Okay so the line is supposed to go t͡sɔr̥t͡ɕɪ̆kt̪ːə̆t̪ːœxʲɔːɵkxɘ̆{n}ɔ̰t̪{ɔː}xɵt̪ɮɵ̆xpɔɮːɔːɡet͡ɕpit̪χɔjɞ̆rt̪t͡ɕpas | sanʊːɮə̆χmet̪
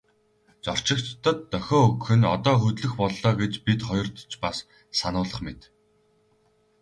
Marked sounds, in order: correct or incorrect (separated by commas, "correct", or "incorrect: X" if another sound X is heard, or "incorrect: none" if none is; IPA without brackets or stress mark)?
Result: correct, correct